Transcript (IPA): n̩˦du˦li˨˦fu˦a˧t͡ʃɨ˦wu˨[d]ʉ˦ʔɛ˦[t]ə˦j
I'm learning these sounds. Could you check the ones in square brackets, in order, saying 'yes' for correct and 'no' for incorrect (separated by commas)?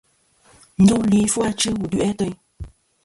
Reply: yes, yes